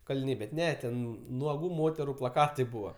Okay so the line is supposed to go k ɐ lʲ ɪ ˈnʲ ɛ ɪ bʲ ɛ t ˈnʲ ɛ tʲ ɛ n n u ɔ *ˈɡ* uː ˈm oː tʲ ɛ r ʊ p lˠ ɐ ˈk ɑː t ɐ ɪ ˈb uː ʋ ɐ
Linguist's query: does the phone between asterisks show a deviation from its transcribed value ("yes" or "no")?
no